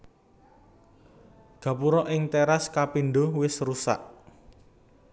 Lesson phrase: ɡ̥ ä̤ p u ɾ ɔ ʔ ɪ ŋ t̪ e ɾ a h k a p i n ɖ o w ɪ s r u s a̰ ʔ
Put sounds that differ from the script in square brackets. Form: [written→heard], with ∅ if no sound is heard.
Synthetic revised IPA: ɡ̥ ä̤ p u ɾ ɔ ʔ ɪ ŋ t̪ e ɾ a [h→s] k a p i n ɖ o w ɪ s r u s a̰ ʔ